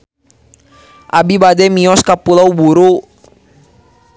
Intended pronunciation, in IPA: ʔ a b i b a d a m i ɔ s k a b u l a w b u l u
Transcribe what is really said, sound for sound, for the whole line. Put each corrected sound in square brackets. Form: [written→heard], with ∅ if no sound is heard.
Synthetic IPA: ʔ a b i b a d [a→ɛ] m i ɔ s k a [b→p] u l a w b u [l→ɾ] u